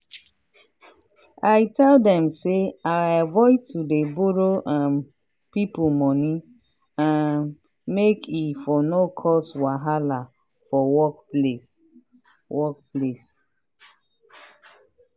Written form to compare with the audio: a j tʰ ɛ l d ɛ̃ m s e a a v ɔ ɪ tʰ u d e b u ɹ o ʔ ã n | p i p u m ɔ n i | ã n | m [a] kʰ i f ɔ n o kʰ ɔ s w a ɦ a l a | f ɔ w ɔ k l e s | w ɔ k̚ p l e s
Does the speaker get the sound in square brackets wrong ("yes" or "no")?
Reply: yes